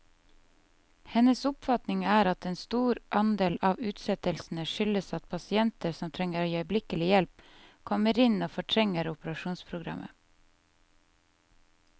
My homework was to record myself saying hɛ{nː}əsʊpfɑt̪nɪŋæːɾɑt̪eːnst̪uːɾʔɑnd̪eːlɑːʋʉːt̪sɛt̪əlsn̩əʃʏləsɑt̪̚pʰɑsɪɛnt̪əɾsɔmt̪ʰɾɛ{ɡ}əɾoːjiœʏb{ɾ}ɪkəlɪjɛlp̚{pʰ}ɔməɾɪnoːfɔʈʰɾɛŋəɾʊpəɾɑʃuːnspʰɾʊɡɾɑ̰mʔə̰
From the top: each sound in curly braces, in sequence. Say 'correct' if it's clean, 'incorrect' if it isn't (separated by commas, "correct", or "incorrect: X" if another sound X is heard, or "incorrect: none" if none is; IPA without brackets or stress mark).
incorrect: n, incorrect: ŋ, incorrect: l, incorrect: kʰ